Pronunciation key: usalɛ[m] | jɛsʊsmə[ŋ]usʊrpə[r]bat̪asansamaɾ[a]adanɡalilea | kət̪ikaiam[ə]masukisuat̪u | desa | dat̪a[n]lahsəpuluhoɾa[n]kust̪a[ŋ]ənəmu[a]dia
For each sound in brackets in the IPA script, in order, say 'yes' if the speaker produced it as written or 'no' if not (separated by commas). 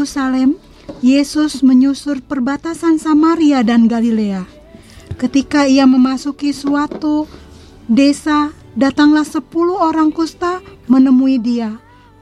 yes, no, yes, no, yes, no, no, no, no